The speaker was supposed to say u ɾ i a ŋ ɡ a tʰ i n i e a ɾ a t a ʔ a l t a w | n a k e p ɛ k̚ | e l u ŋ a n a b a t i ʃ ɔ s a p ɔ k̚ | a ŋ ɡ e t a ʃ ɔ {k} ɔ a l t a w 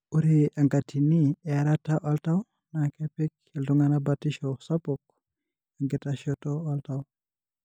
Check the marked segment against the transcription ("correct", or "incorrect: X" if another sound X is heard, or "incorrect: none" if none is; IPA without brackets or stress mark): incorrect: t